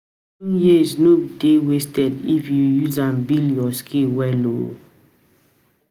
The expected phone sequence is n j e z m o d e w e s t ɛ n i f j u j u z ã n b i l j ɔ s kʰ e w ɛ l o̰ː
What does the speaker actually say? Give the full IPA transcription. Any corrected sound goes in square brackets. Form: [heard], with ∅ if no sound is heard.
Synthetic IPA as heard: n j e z [n] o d e w e s t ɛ [d] i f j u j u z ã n b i l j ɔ s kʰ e w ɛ l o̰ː